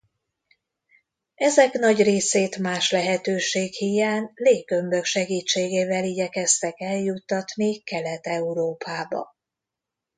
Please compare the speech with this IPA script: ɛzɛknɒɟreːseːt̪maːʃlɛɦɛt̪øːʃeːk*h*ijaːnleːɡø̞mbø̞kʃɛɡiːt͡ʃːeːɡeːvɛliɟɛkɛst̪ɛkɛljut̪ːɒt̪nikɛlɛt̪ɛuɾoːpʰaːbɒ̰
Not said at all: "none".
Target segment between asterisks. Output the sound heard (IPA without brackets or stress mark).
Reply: h